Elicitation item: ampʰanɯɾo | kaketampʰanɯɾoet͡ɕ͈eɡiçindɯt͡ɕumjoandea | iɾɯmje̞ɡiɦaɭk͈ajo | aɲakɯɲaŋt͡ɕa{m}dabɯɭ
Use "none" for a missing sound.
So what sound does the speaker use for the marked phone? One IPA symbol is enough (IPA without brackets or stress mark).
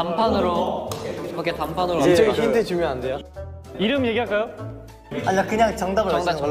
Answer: ŋ